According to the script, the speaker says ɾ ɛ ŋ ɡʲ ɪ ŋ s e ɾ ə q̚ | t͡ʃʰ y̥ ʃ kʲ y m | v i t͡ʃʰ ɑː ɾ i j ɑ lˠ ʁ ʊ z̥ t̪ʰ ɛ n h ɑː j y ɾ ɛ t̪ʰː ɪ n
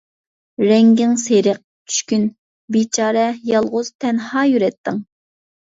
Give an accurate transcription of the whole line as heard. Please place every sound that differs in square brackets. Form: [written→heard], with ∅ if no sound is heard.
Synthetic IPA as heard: ɾ ɛ ŋ ɡʲ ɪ ŋ s e ɾ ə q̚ | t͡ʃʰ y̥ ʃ kʲ y [m→n] | [v→b] i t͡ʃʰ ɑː ɾ [i→ɛ] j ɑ lˠ ʁ ʊ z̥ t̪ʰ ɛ n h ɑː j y ɾ ɛ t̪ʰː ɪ [n→ŋ]

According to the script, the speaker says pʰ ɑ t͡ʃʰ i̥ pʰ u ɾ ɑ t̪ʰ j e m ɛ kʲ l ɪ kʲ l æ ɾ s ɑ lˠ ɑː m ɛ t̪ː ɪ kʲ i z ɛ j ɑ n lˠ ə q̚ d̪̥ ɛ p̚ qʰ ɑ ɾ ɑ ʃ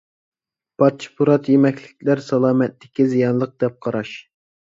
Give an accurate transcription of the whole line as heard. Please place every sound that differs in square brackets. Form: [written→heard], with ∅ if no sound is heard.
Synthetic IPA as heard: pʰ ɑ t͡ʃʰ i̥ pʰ u ɾ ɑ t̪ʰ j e m ɛ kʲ l ɪ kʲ l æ ɾ s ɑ lˠ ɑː m ɛ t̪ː ɪ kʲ i z [ɛ→i] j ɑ n lˠ ə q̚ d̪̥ ɛ p̚ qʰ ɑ ɾ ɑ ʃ

